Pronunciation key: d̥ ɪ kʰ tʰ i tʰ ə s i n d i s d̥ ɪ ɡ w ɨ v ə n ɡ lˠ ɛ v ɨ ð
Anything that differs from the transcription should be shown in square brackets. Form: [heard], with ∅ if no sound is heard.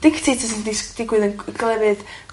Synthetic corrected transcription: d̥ ɪ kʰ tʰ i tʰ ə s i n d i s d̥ ɪ ɡ w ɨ [ð] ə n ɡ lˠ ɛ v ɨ ð

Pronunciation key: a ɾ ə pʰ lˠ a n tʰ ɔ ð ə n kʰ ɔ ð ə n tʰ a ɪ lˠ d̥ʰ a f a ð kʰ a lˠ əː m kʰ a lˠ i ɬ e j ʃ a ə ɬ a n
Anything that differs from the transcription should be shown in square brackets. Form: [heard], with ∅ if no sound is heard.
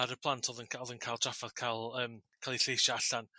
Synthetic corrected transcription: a ɾ ə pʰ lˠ a n tʰ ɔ ð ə n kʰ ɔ ð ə n [kʰ] a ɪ lˠ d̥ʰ a f a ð kʰ a lˠ əː m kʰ a lˠ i ɬ e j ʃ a [a] ɬ a n

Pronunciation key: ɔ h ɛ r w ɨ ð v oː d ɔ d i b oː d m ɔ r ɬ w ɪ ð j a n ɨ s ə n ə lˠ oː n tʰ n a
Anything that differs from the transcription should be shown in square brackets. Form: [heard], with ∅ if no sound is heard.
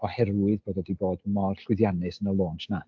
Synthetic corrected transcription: ɔ h ɛ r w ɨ ð [b] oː d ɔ d i b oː d m ɔ r ɬ w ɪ ð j a n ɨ s ə n ə lˠ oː n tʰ n a

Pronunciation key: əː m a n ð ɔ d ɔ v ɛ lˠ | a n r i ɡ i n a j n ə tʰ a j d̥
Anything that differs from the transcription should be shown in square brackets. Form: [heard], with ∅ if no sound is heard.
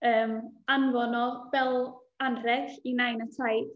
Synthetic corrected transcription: əː m a n [v] ɔ [n] ɔ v ɛ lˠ | a n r [ɛ] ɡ i n a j n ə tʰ a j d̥

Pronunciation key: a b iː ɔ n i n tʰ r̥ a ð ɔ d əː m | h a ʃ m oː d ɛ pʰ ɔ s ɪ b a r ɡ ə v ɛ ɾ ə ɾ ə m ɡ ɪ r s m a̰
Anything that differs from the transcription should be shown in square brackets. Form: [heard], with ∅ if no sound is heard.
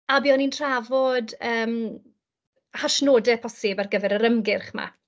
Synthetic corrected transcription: a b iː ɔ n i n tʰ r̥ a [v] ɔ d əː m | h a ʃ [n] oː d ɛ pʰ ɔ s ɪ b a r ɡ ə v ɛ ɾ ə ɾ ə m ɡ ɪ r [χ] m a̰

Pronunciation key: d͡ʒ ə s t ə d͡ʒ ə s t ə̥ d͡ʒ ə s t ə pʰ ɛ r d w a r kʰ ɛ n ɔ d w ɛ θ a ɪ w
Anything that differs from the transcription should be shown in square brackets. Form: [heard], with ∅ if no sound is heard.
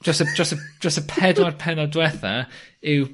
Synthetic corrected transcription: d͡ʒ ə s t ə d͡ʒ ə s t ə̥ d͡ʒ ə s t ə pʰ ɛ [∅] d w a r [pʰ] ɛ n ɔ d w ɛ θ a ɪ w

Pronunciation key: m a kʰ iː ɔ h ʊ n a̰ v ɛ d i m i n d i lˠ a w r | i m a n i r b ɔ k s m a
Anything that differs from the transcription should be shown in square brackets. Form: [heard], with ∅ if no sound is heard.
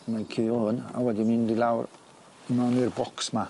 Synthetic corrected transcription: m a kʰ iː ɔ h ʊ n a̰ [w] ɛ d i m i n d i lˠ a w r | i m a n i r b ɔ k s m a

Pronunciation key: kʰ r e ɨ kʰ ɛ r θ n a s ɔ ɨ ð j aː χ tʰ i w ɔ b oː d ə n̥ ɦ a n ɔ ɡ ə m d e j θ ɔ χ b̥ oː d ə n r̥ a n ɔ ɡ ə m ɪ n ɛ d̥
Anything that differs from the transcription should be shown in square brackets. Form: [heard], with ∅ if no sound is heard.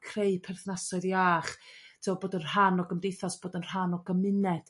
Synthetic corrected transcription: kʰ r e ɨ [pʰ] ɛ r θ n a s ɔ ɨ ð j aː χ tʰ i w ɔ b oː d ə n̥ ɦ a n ɔ ɡ ə m d e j θ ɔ [s] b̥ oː d ə n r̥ a n ɔ ɡ ə m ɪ n ɛ d̥

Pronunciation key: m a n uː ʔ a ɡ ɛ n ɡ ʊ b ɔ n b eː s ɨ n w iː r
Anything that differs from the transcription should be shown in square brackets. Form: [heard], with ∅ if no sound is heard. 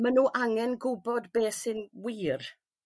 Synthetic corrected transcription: m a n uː ʔ a [ŋ] ɛ n ɡ ʊ b ɔ [d] b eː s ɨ n w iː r

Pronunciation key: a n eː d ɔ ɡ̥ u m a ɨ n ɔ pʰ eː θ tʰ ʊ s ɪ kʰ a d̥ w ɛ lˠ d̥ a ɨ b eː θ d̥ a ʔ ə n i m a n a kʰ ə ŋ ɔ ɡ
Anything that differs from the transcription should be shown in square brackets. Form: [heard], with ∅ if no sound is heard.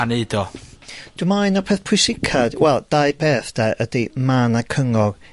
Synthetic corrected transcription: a n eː d ɔ [d̥] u m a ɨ n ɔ pʰ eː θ [pʰ] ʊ s ɪ kʰ a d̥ w ɛ lˠ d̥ a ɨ b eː θ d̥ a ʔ ə [d] i m a n a kʰ ə ŋ ɔ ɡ

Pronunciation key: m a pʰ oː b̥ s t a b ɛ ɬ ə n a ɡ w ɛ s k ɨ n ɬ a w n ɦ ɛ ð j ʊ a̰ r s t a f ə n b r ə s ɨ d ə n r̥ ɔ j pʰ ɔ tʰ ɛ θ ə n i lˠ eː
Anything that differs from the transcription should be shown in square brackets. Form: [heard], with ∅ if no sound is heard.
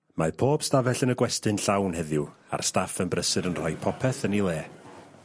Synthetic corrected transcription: m a pʰ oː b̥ s t a [v] ɛ ɬ ə n [ə] ɡ w ɛ s [t] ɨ n ɬ a w n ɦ ɛ ð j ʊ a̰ r s t a f ə n b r ə s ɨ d ə n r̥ ɔ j pʰ ɔ [pʰ] ɛ θ ə n i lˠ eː

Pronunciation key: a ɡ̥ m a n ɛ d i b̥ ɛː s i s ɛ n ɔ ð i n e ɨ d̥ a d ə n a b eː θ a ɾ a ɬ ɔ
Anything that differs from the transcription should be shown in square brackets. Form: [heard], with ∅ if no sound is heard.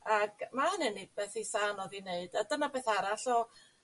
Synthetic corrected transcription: a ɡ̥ m a n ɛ [n] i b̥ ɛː [θ] i s [a] n ɔ ð i n e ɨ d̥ a d ə n a b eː θ a ɾ a ɬ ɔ

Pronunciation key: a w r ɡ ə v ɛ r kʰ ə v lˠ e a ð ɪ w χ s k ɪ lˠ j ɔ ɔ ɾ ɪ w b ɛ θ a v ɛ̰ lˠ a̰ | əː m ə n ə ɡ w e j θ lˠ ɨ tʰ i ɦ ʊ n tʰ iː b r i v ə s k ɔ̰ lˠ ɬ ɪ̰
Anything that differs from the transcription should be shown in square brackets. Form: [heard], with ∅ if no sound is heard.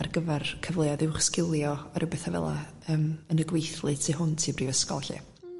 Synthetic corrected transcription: a [∅] r ɡ ə v ɛ r kʰ ə v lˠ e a ð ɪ w χ s k ɪ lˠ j ɔ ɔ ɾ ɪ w b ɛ θ a v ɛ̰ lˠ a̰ | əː m ə n ə ɡ w e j θ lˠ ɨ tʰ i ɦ ʊ n tʰ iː b r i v ə s k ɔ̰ lˠ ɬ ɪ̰

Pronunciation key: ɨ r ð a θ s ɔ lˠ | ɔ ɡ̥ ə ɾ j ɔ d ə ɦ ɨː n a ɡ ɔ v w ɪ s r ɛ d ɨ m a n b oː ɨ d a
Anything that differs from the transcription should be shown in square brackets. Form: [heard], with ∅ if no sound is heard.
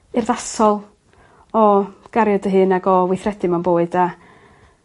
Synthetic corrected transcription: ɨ r ð a [∅] s ɔ lˠ | ɔ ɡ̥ [a] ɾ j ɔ d ə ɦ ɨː n a ɡ ɔ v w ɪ [θ] r ɛ d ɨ m a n b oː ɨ d a

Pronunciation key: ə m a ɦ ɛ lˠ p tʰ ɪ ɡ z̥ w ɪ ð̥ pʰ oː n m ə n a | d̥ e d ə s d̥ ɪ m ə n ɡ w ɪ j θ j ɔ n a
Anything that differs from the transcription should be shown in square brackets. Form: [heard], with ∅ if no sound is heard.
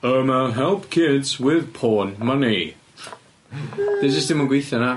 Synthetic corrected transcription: ə m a ɦ ɛ lˠ p [kʰ] ɪ [d] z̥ w ɪ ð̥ pʰ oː n m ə n [i] | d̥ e [d͡ʒ] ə s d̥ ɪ m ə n ɡ w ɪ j θ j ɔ n a

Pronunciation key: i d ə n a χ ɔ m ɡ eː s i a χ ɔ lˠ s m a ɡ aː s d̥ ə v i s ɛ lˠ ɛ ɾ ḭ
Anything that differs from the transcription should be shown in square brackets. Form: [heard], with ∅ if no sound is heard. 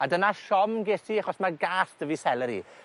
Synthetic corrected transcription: [a] d ə n a [ʃ] ɔ m ɡ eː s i a χ ɔ [∅] s m a ɡ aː s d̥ ə v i s ɛ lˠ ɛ ɾ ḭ

